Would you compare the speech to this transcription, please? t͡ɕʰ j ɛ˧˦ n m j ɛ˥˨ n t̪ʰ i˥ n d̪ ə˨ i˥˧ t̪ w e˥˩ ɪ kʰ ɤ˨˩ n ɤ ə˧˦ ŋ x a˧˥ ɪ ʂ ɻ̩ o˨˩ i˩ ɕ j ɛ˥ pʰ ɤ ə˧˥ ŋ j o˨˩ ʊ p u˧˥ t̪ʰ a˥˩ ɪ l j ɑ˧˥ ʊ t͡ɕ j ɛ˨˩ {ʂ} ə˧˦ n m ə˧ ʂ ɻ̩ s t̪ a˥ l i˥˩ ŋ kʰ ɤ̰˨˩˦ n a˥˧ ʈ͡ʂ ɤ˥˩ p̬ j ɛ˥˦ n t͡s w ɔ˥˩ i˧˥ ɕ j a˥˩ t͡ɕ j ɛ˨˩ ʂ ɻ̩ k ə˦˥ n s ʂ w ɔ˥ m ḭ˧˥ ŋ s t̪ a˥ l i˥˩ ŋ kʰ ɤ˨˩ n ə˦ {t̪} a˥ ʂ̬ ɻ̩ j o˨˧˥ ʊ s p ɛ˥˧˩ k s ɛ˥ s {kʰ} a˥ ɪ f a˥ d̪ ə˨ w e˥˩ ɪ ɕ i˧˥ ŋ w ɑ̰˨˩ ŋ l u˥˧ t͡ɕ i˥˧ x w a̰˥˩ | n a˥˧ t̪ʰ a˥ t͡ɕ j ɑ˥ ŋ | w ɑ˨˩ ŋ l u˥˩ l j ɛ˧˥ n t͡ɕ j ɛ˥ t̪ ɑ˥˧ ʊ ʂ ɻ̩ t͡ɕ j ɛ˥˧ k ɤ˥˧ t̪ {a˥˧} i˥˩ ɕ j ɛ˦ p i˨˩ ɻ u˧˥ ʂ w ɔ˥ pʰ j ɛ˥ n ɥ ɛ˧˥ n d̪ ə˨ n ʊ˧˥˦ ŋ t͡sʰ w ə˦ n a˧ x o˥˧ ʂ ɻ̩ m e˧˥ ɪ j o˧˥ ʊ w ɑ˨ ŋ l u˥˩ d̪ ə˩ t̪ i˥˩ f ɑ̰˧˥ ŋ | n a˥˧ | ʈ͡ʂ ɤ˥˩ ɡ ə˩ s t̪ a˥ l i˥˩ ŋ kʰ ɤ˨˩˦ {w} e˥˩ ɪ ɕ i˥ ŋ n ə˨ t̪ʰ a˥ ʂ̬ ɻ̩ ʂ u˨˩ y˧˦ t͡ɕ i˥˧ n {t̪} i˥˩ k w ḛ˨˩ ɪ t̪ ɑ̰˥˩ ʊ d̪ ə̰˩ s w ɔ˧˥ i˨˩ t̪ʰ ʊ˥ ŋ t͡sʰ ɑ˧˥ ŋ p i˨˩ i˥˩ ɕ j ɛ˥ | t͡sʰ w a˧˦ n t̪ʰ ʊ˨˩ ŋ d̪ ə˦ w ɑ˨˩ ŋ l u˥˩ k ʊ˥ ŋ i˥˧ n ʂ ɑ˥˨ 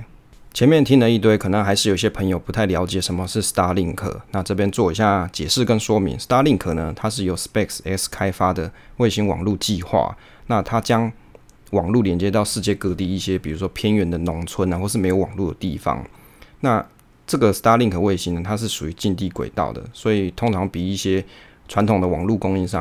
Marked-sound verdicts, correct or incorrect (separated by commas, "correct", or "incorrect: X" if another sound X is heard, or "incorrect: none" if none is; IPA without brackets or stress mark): correct, incorrect: t̪ʰ, correct, incorrect: i˥˧, correct, correct